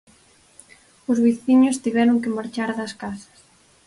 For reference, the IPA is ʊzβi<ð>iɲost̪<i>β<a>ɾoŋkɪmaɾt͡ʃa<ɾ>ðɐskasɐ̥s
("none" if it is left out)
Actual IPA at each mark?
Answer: θ, i, ɛ, ɾ

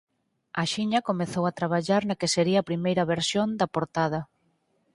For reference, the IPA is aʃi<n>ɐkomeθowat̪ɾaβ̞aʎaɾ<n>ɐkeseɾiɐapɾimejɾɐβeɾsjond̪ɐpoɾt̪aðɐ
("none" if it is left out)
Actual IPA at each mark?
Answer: ɲ, n

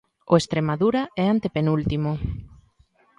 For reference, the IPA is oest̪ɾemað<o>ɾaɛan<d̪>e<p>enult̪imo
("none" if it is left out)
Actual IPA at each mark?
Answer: u, t̪, p

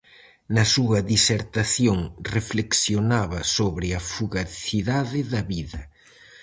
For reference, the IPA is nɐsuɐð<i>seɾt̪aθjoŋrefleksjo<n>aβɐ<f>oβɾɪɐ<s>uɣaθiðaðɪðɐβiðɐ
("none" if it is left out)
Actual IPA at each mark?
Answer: i, n, s, f

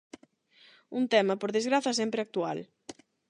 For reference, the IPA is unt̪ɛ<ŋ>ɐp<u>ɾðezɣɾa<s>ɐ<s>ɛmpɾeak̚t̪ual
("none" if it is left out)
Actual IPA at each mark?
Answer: m, o, θ, s

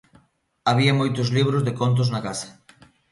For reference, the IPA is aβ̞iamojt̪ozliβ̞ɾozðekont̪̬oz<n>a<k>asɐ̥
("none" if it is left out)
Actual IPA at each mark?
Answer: n, k

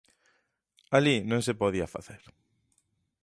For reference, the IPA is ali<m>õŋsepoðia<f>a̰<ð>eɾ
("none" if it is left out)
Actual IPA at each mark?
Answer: n, f, θ

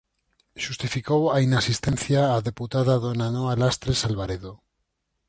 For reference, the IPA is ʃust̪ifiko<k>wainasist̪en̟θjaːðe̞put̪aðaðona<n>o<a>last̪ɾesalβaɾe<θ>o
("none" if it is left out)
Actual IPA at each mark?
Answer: none, n, a, ð

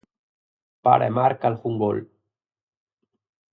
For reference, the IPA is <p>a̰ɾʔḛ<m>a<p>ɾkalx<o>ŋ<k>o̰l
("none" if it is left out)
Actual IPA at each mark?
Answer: p, m, none, u, ɡ

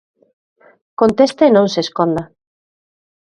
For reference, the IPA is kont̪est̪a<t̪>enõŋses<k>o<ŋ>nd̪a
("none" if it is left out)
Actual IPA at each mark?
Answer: none, k, none

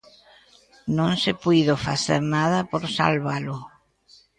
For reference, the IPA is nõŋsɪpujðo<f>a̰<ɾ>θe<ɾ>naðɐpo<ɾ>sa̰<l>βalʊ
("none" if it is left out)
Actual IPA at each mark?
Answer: f, none, ɾ, ɾ, l

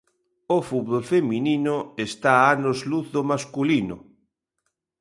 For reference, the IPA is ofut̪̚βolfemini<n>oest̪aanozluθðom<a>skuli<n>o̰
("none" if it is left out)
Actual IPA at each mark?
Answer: n, a, n

